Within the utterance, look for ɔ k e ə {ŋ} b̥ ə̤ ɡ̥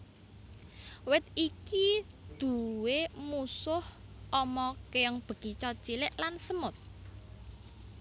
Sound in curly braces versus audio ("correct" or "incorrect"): correct